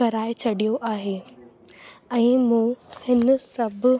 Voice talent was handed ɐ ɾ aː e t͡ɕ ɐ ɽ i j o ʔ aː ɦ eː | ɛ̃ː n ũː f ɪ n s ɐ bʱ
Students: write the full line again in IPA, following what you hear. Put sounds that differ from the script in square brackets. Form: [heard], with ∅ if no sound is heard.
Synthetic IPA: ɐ ɾ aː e [t͡ɕʰ] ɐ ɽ i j o ʔ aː ɦ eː | ɛ̃ː [m] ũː [h] ɪ n s ɐ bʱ

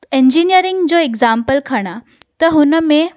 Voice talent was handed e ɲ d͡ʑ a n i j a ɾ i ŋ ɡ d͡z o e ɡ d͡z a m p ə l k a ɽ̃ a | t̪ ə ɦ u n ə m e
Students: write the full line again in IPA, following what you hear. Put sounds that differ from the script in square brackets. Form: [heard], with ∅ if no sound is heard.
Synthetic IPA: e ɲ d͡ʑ [i] n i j [ə] ɾ i ŋ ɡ d͡z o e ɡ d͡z a m p ə l [kʰ] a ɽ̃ a | t̪ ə ɦ u n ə m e

